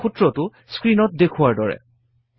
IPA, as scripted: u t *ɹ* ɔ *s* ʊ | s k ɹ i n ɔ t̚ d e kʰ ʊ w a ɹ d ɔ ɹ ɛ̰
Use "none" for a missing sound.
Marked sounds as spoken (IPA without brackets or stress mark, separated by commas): ɹ, t